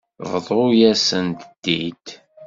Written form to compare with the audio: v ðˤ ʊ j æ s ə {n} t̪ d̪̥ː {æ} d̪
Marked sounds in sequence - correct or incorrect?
correct, incorrect: i

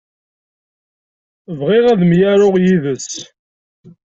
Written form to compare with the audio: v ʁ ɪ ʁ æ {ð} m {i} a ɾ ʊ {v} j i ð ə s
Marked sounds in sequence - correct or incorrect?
correct, incorrect: j, incorrect: ʁ

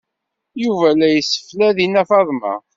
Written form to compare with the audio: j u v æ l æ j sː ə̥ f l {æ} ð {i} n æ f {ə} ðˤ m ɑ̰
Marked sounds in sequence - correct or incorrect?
correct, correct, incorrect: ɑ

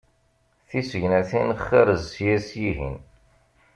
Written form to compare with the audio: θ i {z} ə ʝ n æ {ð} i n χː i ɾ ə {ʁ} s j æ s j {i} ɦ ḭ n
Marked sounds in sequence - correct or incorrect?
incorrect: s, incorrect: θ, incorrect: z, correct

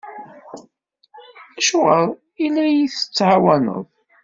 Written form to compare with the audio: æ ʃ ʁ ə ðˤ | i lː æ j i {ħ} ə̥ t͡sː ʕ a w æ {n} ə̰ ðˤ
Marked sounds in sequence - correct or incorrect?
incorrect: θ, correct

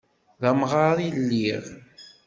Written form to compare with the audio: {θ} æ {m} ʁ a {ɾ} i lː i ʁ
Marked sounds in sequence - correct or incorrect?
incorrect: ð, correct, correct

